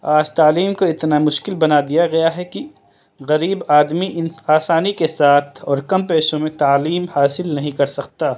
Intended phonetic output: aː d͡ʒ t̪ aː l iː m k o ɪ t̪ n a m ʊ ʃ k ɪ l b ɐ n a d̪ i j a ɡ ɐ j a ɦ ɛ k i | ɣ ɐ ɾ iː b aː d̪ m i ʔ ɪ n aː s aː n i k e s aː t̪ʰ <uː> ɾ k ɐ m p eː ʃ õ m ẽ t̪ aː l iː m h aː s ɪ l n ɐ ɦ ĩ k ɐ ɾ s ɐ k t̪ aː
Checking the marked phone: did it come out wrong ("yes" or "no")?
yes